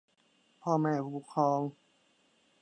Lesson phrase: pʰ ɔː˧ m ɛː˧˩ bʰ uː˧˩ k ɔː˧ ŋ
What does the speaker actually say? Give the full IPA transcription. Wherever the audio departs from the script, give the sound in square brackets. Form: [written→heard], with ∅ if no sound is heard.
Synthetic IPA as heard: pʰ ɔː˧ m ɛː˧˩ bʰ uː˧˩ [k→kʰ] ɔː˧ ŋ